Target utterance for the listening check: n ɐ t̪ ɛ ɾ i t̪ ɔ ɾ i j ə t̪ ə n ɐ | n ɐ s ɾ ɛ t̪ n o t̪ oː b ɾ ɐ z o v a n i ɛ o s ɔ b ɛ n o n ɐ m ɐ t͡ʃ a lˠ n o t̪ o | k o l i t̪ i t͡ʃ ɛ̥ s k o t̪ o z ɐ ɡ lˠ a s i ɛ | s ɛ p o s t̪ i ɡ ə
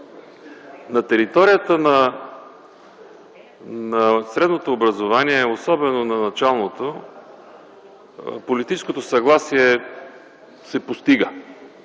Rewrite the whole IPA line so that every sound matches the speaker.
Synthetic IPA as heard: n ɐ t̪ ɛ ɾ i t̪ ɔ ɾ i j ə t̪ ə n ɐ | n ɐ s ɾ ɛ d̪ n o t̪ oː b ɾ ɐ z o v a n i ɛ o s ɔ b ɛ n o n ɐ n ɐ t͡ʃ a lˠ n o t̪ o | p o l i t̪ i t͡ʃ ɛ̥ s k o t̪ o s ɐ ɡ lˠ a s i ɛ | s ɛ p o s t̪ i ɡ ə